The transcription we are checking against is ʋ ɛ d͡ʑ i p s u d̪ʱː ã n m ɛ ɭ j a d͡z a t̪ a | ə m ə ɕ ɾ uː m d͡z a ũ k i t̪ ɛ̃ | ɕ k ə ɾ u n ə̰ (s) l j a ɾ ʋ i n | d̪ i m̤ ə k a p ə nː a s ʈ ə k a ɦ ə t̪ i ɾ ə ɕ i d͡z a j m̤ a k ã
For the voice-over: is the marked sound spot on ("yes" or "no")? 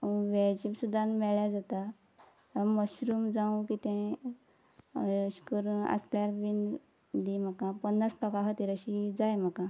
yes